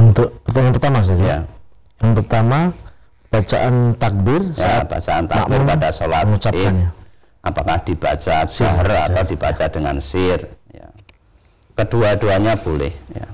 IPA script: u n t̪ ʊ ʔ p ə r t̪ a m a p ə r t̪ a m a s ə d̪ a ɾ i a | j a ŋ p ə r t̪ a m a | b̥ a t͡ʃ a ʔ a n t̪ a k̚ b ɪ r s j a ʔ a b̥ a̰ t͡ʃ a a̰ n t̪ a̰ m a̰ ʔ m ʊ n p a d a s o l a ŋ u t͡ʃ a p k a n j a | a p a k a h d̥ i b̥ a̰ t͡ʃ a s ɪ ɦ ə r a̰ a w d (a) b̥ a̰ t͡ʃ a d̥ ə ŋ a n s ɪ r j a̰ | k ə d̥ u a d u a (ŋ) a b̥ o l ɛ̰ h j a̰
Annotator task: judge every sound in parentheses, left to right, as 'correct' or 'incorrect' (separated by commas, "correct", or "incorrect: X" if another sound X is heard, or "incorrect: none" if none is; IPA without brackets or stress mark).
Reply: incorrect: i, incorrect: ɲ